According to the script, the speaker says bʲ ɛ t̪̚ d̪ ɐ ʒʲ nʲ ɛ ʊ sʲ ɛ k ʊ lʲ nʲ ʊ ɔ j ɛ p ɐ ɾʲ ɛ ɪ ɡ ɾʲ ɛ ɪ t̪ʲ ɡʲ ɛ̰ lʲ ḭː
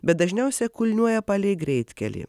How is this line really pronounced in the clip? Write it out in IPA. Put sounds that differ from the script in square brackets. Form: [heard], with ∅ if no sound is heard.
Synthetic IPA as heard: bʲ ɛ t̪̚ d̪ ɐ ʒʲ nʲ ɛ ʊ sʲ ɛ k ʊ lʲ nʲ [u] ɔ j ɛ p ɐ [lʲ] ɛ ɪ ɡ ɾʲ ɛ ɪ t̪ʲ [kʲ] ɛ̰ lʲ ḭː